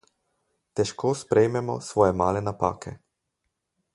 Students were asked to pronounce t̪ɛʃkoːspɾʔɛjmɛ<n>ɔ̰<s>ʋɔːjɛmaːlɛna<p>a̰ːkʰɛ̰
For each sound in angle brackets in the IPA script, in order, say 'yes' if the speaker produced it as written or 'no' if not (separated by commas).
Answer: no, yes, yes